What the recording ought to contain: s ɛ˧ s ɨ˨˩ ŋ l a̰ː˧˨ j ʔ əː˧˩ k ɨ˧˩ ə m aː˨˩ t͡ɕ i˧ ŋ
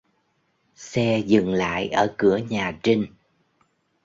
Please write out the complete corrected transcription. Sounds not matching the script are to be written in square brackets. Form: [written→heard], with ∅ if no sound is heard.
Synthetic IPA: s ɛ˧ [s→z] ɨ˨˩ ŋ l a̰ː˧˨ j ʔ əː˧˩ k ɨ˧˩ ə [m→ɲ] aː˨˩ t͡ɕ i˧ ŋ